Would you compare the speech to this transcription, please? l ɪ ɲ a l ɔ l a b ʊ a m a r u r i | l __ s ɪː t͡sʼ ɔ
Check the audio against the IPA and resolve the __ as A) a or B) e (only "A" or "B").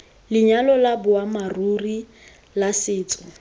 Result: A